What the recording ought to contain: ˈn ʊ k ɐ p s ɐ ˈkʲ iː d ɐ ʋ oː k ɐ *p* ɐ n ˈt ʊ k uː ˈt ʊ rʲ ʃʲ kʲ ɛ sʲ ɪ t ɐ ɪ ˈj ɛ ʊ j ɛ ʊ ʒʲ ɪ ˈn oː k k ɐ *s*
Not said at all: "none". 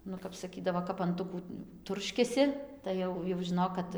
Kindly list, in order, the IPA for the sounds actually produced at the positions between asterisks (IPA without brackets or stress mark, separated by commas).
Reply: p, t